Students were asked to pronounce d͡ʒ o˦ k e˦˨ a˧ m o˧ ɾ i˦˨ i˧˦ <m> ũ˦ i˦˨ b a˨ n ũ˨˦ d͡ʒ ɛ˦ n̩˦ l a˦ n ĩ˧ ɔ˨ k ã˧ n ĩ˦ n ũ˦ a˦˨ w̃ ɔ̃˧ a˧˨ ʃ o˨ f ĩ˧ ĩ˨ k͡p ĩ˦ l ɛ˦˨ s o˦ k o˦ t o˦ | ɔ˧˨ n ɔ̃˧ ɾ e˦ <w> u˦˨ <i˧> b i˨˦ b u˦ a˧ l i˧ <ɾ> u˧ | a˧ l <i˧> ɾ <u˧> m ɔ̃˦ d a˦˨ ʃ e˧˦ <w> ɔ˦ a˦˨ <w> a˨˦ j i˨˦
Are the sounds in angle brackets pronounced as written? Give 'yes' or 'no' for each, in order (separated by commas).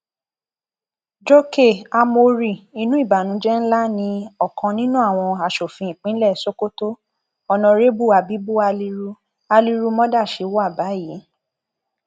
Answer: no, no, no, yes, yes, yes, yes, no